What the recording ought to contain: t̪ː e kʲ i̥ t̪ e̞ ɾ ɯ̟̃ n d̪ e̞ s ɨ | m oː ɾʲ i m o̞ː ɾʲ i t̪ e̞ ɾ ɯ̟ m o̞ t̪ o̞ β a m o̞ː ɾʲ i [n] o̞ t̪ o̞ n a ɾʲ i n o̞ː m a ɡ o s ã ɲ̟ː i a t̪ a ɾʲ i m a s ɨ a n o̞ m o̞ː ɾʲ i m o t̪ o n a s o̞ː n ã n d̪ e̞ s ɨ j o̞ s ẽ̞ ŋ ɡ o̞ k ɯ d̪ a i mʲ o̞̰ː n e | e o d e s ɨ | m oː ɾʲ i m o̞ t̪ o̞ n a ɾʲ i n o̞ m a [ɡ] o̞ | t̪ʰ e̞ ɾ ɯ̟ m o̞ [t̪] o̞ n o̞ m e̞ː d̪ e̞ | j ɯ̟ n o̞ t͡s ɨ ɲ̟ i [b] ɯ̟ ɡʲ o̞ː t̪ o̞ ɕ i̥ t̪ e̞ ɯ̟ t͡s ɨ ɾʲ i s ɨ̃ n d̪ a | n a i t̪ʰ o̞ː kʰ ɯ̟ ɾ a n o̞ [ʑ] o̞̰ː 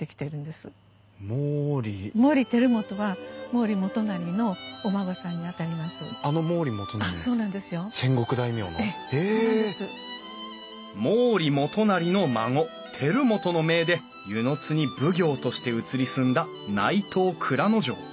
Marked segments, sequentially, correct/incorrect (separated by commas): incorrect, incorrect, correct, correct, correct